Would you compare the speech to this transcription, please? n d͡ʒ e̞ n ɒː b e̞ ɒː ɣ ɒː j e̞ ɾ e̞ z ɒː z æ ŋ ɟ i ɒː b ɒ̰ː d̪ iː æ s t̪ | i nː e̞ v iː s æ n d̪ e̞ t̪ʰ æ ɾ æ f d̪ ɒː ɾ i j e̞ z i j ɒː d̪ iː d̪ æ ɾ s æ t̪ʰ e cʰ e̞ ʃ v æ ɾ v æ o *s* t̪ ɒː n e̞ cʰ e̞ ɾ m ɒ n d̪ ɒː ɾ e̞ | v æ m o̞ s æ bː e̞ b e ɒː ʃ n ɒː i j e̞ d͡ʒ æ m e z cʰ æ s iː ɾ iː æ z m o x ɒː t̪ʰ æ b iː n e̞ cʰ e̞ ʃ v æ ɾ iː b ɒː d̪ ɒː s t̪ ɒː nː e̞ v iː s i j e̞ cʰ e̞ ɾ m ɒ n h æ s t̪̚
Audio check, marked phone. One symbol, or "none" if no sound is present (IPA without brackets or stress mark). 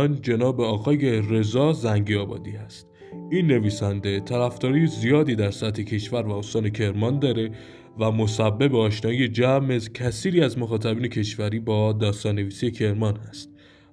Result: s